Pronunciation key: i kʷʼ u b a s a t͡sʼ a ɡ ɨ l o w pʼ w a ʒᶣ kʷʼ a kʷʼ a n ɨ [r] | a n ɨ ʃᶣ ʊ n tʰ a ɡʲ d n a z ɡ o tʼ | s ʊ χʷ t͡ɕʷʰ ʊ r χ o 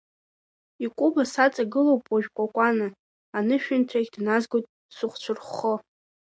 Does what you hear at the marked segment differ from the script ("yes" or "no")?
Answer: yes